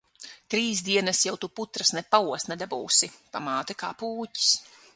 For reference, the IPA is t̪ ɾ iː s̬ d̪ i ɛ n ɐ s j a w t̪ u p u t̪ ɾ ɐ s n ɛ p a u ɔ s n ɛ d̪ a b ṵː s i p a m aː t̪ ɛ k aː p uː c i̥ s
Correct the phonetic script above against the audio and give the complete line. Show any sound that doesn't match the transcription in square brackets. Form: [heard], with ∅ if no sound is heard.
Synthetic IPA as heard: t̪ ɾ iː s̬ d̪ i ɛ n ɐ s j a w t̪ u p u t̪ ɾ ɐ s n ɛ p a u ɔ s n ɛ d̪ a b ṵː s i p a m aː t̪ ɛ k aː p uː c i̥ s